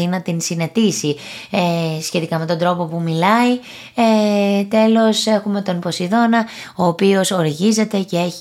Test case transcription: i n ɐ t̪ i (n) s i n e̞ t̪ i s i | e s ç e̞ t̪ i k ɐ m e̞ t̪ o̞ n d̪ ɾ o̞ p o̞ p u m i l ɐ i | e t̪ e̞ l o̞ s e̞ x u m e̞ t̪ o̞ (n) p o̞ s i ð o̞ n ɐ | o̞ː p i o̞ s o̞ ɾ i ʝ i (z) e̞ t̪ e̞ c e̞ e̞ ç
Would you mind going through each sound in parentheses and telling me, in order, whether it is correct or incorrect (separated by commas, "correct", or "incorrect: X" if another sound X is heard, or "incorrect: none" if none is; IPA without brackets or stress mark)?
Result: correct, correct, correct